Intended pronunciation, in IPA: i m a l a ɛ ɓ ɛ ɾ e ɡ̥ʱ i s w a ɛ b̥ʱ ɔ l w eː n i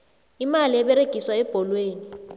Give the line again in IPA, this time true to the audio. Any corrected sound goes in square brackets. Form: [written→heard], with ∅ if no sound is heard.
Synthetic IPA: i m a l [a→i] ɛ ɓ ɛ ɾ e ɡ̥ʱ i s w a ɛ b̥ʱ ɔ l w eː n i